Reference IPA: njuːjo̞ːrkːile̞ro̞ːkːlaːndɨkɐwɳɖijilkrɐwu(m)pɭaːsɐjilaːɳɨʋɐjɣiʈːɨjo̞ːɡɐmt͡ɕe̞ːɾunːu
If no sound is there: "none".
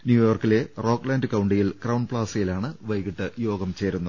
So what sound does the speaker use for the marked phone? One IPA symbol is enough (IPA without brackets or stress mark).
ɳ